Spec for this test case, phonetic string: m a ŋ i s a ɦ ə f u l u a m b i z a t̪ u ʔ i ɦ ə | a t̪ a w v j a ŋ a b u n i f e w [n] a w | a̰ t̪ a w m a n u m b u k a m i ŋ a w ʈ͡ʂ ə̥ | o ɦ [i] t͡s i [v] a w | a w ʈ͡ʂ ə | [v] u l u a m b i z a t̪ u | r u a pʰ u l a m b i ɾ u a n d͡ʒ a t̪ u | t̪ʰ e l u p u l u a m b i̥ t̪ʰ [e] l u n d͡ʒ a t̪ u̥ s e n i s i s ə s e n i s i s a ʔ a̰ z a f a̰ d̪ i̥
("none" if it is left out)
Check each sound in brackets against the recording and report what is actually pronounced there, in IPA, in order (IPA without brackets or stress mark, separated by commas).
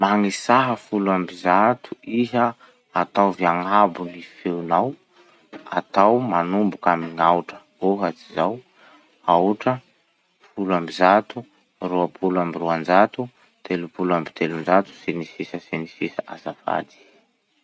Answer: n, a, z, f, e